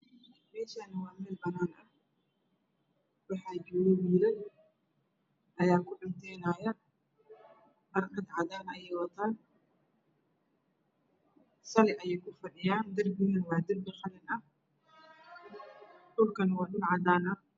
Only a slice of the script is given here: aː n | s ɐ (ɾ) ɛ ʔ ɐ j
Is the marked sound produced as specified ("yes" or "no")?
no